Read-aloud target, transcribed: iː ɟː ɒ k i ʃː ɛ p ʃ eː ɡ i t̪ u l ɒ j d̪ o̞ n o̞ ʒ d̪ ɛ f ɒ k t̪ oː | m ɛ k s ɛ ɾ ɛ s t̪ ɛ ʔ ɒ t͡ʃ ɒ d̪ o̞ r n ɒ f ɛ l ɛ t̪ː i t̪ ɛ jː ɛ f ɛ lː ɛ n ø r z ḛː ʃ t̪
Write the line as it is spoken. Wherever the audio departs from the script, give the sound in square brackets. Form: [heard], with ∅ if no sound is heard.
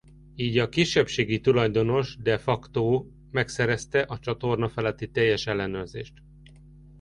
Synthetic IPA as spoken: iː [ɟ] ɒ k i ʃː ɛ p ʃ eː ɡ i t̪ u l ɒ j d̪ o̞ n o̞ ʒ d̪ ɛ f ɒ k t̪ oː | m ɛ k s ɛ ɾ ɛ s t̪ ɛ ʔ ɒ t͡ʃ ɒ [t̪] o̞ r n ɒ f ɛ l ɛ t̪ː i t̪ ɛ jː ɛ [ʃ] ɛ lː ɛ n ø r z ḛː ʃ t̪

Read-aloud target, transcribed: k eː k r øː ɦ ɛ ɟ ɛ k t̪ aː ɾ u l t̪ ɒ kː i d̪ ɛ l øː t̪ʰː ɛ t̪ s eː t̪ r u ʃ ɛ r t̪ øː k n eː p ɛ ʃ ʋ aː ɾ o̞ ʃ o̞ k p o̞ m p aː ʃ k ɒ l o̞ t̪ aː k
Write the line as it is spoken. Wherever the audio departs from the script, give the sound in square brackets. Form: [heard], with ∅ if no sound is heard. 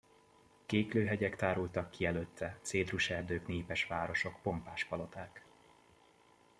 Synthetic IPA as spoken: k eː k [l] øː ɦ ɛ ɟ ɛ k t̪ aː ɾ u l t̪ ɒ kː i [∅] ɛ l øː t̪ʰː ɛ t̪ s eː [d̪] r u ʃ ɛ r [d̪] øː k n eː p ɛ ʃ ʋ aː ɾ o̞ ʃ o̞ k p o̞ m p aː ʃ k ɒ l o̞ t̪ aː k

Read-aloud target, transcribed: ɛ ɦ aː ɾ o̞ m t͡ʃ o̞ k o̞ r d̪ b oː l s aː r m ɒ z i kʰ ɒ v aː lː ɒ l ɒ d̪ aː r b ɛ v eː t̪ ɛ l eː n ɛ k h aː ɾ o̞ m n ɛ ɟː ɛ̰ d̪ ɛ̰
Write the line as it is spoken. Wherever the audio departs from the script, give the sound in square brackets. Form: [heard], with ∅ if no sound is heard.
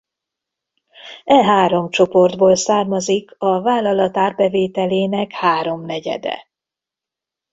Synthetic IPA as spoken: ɛ ɦ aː ɾ o̞ m t͡ʃ o̞ [p] o̞ r d̪ b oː l s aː r m ɒ z i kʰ ɒ v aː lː ɒ l ɒ [t̪] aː r b ɛ v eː t̪ ɛ l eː n ɛ k h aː ɾ o̞ m n ɛ [ɟ] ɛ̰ d̪ ɛ̰

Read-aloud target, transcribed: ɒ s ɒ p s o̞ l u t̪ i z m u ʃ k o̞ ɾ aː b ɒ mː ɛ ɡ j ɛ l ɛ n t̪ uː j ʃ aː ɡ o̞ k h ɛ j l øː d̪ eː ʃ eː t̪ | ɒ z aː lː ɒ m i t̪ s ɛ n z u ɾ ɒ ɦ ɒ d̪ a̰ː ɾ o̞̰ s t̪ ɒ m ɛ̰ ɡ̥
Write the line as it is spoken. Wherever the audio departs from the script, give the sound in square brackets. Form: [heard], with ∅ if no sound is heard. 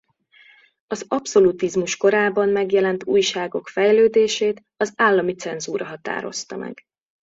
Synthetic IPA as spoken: ɒ [z] ɒ p s o̞ l u t̪ i z m u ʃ k o̞ ɾ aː b ɒ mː ɛ ɡ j ɛ l ɛ n t̪ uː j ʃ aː ɡ o̞ k [f] ɛ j l øː d̪ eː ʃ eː t̪ | ɒ z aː lː ɒ m i t̪ s ɛ n z [uː] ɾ ɒ ɦ ɒ [t̪] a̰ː ɾ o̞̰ s t̪ ɒ m ɛ̰ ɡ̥

